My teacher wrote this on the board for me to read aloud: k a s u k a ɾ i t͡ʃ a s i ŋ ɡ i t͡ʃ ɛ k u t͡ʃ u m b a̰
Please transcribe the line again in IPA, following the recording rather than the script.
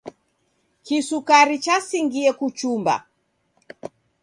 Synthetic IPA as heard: k i s u k a ɾ i t͡ʃ a s i ŋ ɡ i ɛ k u t͡ʃ u m b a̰